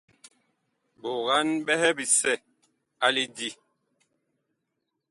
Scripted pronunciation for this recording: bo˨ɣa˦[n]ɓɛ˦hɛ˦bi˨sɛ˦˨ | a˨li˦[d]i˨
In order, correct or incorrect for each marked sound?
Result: correct, correct

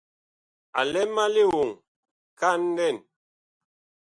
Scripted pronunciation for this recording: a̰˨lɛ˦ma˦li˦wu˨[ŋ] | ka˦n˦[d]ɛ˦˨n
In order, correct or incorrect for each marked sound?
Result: correct, correct

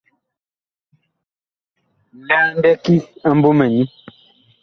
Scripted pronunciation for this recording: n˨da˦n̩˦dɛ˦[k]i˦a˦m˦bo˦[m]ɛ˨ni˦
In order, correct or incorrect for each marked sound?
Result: correct, correct

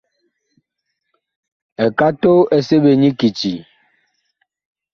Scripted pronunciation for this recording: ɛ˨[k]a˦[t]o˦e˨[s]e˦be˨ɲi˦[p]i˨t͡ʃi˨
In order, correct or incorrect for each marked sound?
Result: correct, correct, correct, incorrect

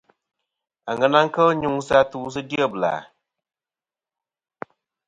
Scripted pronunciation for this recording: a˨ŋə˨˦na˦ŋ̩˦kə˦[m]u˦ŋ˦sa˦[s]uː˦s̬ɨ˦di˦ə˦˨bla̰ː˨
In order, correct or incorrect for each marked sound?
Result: incorrect, incorrect

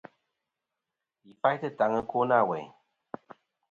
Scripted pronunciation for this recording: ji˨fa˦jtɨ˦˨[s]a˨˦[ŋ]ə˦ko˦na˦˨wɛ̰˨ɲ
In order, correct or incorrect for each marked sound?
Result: incorrect, correct

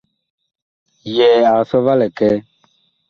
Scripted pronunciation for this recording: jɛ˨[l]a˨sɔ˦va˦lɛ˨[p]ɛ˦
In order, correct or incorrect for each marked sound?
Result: incorrect, incorrect

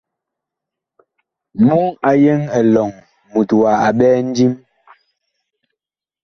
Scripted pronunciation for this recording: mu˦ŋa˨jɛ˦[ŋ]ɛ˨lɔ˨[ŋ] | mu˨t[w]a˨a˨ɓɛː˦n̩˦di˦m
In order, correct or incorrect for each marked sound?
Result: correct, correct, correct

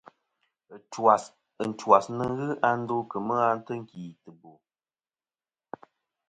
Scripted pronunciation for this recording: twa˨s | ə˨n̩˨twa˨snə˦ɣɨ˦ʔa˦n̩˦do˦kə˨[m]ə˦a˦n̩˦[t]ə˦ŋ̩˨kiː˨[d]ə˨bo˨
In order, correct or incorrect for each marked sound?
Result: correct, correct, incorrect

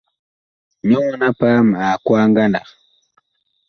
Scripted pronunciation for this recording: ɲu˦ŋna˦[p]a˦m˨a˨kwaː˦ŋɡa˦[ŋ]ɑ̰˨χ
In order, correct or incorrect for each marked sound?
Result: correct, incorrect

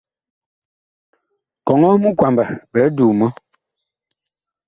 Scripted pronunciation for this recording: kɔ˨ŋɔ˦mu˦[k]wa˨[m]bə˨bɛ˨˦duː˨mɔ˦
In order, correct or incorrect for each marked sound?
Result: correct, correct

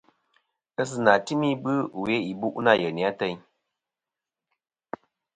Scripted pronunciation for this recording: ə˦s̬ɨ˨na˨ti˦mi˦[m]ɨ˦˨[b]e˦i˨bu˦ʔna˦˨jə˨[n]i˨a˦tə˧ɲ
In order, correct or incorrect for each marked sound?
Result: incorrect, incorrect, correct

